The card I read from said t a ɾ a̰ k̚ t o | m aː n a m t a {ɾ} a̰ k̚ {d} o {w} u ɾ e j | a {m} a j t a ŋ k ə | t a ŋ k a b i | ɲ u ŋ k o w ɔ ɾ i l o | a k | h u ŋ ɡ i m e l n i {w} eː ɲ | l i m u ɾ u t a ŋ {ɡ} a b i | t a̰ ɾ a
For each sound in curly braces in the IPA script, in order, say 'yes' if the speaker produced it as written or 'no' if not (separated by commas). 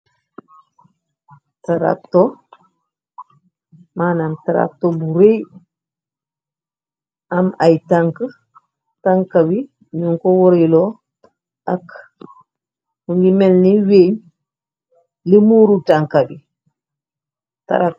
yes, no, no, yes, yes, no